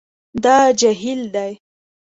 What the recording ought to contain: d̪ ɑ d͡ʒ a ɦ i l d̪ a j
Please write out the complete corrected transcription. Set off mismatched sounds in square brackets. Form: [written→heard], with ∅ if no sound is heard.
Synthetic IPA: d̪ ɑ d͡ʒ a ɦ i l d̪ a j

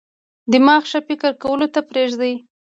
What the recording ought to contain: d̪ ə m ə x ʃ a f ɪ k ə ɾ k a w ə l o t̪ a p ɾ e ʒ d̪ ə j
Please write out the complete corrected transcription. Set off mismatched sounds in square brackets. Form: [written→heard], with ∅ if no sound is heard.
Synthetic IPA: d̪ ə m [ə→ɑ] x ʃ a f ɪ k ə ɾ k a w ə l o t̪ a p ɾ e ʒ d̪ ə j

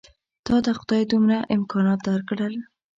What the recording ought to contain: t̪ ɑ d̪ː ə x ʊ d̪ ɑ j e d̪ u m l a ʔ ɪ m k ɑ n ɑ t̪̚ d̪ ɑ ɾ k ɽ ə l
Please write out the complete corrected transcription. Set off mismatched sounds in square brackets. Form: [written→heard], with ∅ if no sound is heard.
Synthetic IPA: t̪ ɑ [d̪ː→d̪] ə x ʊ d̪ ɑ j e d̪ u m [l→ɾ] a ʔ ɪ m k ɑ n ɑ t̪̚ d̪ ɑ ɾ k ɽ ə l

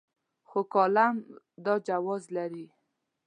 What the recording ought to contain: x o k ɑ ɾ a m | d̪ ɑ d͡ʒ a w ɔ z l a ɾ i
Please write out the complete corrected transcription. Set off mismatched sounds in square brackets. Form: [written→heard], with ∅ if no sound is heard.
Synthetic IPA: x o k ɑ [ɾ→l] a m | d̪ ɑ d͡ʒ a w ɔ z l a ɾ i

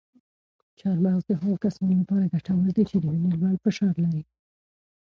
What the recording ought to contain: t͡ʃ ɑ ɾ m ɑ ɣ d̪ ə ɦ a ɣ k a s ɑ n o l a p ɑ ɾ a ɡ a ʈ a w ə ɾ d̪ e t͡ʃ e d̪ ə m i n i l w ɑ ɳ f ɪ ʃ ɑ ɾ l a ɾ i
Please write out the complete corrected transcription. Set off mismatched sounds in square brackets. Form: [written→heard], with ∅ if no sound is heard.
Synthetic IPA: t͡ʃ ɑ ɾ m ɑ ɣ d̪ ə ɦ a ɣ k a s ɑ n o l a p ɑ ɾ a ɡ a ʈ a w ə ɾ d̪ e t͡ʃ e d̪ ə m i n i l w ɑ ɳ f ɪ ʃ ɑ ɾ l a ɾ i

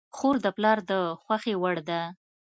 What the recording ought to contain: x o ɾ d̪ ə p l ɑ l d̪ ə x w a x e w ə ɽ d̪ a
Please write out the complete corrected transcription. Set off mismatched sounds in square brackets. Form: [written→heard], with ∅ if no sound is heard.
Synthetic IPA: x o ɾ d̪ ə p l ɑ [l→ɾ] d̪ ə x w a x e w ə ɽ d̪ a

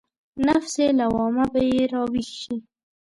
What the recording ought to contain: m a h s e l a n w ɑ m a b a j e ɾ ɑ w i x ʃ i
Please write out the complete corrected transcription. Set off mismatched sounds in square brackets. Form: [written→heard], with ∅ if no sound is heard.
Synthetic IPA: [m→n] a [h→f] s e l a [n→∅] w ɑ m a b a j e ɾ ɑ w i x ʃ i

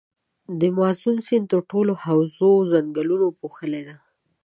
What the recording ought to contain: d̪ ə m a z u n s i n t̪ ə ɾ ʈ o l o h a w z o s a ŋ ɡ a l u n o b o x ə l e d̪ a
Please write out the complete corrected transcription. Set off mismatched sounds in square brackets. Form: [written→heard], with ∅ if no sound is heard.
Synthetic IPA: d̪ ə m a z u n s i n t̪ ə ɾ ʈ o l o h a w z o [s→z] a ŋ ɡ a l u n o [b→p] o x ə l e d̪ a

